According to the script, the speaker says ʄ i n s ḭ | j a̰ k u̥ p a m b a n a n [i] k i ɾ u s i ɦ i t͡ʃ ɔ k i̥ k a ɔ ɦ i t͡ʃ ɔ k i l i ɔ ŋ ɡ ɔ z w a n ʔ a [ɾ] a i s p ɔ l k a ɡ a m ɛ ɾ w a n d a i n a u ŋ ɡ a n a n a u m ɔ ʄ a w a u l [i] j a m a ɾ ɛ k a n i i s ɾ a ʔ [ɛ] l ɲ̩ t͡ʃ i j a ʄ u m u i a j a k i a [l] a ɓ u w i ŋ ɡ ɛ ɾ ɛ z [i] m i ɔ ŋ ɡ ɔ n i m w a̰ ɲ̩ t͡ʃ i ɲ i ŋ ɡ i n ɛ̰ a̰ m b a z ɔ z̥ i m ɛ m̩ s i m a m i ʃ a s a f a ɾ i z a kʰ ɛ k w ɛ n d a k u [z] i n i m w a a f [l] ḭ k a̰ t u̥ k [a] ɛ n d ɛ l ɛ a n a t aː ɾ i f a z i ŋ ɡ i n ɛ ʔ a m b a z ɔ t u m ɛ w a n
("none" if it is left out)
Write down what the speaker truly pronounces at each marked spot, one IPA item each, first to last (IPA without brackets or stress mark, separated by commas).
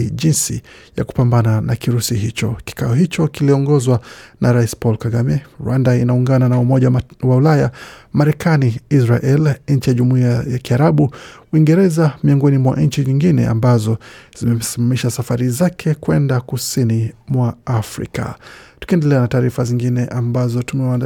a, ɾ, a, ɛ, ɾ, a, s, ɾ, i